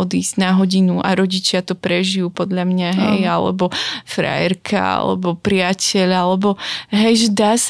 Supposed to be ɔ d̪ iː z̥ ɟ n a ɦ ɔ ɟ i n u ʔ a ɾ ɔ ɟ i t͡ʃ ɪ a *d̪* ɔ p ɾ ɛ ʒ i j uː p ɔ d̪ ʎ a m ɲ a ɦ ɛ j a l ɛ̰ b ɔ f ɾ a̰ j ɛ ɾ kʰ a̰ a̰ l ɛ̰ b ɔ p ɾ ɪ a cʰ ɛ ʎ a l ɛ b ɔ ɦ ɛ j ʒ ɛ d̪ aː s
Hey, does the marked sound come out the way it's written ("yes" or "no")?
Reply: no